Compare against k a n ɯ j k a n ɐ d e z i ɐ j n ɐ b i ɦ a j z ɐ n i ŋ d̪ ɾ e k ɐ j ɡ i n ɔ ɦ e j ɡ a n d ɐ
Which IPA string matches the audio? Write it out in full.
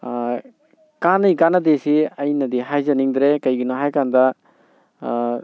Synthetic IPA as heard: k a n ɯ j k a n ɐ d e s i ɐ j n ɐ d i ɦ a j z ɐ n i ŋ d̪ ɾ e k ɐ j ɡ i n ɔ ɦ a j k a n d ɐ